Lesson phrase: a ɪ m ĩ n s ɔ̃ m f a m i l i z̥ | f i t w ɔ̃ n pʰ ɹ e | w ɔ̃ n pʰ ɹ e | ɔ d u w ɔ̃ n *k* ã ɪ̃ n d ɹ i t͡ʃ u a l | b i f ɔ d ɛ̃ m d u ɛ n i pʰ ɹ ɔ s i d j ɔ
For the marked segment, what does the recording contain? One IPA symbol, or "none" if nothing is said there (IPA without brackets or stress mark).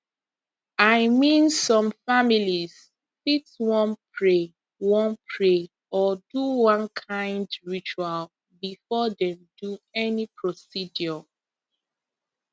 kʰ